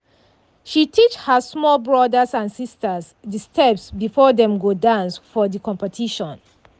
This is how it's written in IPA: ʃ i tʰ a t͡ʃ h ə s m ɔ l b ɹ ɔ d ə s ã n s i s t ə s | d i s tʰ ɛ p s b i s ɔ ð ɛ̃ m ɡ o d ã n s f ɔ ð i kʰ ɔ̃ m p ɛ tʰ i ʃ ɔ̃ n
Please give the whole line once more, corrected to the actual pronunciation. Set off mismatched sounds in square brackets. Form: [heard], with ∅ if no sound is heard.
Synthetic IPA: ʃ i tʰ [i] t͡ʃ h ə s m ɔ l b ɹ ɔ d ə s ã n s i s t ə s | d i s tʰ ɛ p s b i [f] ɔ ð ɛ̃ m ɡ o d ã n s f ɔ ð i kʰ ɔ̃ m p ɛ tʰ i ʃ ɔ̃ n